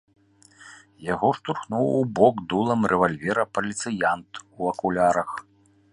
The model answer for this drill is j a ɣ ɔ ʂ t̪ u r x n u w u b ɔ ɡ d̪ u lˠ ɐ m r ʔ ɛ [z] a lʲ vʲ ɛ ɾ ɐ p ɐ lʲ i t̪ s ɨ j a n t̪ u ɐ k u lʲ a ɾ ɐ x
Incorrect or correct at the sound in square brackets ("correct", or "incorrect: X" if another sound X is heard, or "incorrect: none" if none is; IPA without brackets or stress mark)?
incorrect: v